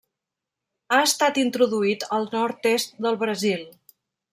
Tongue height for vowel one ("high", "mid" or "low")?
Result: low